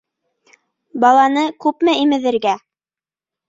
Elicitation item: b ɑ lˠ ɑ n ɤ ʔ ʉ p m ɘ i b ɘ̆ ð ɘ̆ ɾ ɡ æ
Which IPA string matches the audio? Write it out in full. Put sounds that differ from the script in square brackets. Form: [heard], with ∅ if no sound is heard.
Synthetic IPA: b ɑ lˠ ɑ n ɤ [k] ʉ p m ɘ i [m] ɘ̆ ð ɘ̆ ɾ ɡ æ

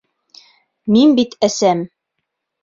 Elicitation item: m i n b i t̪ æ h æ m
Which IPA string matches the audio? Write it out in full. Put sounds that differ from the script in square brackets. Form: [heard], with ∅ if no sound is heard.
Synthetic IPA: m i n b i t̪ æ [s] æ m

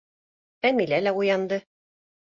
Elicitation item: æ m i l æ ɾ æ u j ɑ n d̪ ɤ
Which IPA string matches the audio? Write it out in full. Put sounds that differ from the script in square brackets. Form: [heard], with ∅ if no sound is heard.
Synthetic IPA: æ m i l æ [l] æ u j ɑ n d̪ ɤ

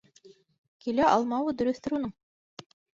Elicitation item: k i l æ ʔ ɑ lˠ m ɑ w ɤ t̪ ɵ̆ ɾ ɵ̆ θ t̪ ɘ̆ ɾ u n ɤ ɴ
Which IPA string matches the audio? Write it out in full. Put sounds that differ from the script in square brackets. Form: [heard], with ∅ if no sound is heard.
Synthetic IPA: k i l æ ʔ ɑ lˠ m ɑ w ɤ [d̪] ɵ̆ ɾ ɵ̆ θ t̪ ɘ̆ ɾ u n ɤ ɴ

